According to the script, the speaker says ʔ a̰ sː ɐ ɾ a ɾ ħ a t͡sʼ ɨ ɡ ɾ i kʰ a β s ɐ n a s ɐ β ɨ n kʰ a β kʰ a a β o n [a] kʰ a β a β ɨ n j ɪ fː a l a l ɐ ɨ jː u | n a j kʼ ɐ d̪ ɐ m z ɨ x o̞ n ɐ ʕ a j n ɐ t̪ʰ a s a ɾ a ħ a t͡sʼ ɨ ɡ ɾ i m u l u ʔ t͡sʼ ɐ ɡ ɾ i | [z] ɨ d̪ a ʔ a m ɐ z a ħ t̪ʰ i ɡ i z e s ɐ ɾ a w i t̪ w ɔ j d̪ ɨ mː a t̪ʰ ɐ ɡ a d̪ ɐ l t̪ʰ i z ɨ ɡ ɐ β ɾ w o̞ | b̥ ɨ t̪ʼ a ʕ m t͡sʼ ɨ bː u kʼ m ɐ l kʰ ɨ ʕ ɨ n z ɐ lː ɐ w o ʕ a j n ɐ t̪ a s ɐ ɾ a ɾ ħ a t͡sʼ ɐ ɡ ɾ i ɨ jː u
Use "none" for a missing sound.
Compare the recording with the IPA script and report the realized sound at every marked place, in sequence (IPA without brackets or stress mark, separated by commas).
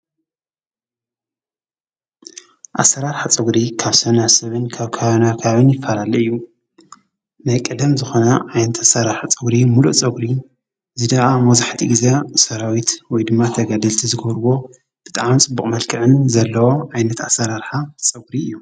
a, z